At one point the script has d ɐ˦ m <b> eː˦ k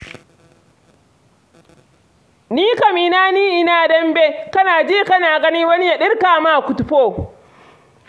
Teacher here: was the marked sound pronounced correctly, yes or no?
yes